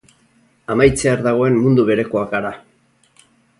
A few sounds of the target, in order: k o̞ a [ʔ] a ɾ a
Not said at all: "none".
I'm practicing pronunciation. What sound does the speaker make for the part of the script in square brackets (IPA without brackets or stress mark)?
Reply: k